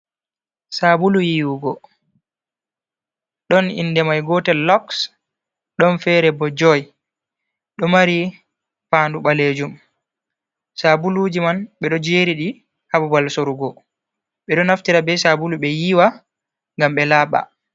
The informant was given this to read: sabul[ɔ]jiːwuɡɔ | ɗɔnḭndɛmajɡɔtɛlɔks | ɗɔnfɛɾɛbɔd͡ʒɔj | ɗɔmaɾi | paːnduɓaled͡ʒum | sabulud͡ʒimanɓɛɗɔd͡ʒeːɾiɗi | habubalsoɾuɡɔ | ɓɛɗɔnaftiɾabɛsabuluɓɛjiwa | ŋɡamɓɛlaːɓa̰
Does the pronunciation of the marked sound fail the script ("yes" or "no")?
yes